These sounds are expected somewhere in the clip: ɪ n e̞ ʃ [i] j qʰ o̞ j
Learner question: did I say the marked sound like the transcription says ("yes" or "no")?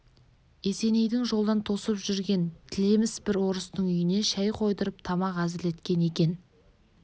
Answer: no